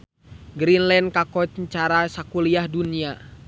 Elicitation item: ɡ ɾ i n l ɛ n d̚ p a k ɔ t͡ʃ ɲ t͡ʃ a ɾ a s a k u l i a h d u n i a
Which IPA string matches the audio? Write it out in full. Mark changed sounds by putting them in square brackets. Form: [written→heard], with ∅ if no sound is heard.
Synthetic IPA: ɡ ɾ i n l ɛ n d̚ [p→k] a k ɔ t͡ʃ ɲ t͡ʃ a ɾ a s a k u l i a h d u n i a